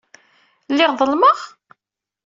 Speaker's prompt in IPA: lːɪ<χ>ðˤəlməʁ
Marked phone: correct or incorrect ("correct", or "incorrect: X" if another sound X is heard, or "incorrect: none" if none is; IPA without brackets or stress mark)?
incorrect: ʁ